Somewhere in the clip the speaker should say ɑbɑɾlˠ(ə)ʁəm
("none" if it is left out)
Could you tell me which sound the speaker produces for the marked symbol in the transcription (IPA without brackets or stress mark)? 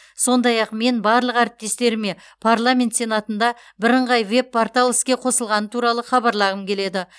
ɑ